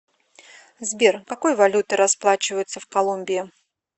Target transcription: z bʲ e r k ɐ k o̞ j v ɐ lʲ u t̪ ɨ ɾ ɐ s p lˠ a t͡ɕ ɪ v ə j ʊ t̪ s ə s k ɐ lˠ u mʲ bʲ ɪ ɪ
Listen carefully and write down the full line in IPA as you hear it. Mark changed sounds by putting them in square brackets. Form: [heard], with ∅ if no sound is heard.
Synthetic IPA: z bʲ e r k ɐ k o̞ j v ɐ lʲ u t̪ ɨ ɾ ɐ s p lˠ a t͡ɕ ɪ v ə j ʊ t̪ s ə [f] k ɐ lˠ u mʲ bʲ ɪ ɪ